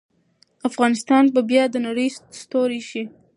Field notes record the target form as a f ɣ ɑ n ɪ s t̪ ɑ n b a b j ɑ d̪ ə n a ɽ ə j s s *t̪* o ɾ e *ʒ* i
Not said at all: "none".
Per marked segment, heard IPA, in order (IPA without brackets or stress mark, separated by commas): t̪, ʃ